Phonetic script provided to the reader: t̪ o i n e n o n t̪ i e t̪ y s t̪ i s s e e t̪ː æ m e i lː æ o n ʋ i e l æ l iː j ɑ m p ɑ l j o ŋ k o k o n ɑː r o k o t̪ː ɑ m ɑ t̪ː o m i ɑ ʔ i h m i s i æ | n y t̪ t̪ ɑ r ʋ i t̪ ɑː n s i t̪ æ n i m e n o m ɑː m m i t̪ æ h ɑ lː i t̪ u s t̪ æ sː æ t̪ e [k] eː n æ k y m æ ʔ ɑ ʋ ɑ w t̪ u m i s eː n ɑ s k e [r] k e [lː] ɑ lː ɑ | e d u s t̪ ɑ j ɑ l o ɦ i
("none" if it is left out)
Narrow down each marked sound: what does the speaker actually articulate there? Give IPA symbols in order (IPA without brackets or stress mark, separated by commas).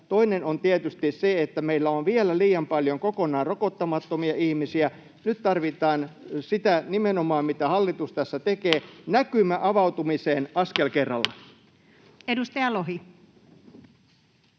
k, l, rː